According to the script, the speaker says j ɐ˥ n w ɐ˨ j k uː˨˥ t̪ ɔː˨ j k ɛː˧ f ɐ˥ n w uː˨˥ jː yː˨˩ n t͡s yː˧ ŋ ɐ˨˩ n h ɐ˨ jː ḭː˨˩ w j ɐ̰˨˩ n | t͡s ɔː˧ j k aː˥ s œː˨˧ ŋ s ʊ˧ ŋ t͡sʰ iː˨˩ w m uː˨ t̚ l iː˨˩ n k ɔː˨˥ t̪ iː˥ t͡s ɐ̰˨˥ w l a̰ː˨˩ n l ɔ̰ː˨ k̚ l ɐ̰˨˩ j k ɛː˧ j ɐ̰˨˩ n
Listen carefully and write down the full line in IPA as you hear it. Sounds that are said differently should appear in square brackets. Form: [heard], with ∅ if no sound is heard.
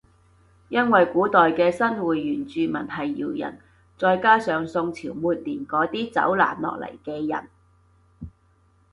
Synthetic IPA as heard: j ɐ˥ n w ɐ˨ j k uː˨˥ t̪ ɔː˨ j k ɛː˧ [s] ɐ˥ n w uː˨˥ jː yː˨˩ n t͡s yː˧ [m] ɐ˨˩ n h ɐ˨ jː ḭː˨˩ w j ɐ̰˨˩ n | t͡s ɔː˧ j k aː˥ s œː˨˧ ŋ s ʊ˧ ŋ t͡sʰ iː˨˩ w m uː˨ t̚ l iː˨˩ n k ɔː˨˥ t̪ iː˥ t͡s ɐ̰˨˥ w l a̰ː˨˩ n l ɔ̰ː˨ k̚ l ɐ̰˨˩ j k ɛː˧ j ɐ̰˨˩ n